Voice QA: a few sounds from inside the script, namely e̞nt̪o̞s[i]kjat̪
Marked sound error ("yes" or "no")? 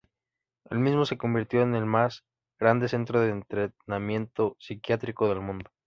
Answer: no